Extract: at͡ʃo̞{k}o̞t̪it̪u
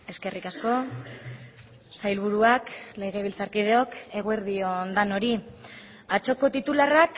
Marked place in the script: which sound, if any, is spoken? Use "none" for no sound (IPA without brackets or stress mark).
k